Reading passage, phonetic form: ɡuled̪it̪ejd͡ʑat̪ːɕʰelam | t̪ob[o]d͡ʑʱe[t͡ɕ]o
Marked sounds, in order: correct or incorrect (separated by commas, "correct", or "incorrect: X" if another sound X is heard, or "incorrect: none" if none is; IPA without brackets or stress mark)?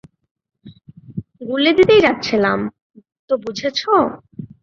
incorrect: u, incorrect: t͡ɕʰ